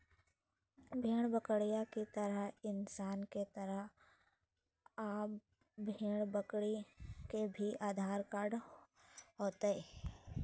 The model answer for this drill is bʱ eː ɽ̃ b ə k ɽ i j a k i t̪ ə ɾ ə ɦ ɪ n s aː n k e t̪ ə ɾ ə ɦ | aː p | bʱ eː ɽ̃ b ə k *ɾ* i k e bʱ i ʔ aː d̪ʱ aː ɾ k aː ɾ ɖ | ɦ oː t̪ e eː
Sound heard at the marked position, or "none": ɽ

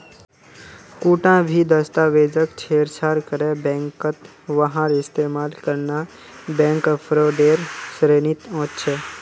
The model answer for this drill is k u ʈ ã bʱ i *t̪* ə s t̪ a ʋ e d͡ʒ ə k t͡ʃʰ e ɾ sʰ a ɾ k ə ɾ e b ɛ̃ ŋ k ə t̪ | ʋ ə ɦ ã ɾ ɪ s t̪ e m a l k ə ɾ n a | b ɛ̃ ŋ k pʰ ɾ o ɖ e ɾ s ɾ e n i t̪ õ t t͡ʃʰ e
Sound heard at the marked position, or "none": d̪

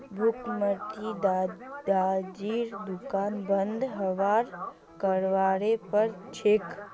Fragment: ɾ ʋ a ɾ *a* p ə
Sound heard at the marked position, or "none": e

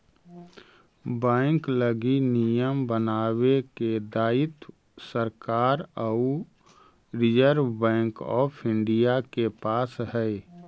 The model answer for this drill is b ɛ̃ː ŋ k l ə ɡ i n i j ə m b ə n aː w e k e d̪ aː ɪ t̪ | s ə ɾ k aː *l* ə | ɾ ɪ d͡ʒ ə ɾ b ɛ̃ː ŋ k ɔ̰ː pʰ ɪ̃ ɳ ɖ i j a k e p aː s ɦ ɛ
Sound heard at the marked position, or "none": ɾ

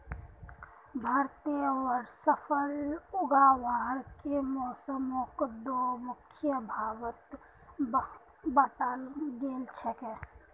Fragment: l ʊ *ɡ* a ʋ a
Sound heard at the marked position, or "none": ɡ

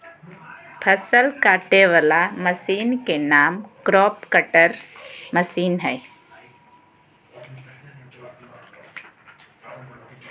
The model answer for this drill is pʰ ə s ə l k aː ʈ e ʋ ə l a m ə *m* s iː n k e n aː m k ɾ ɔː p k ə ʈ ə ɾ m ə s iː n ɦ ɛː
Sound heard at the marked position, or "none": none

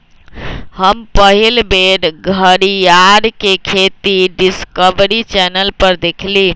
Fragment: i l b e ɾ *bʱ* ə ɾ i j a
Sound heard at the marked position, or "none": ɡʱ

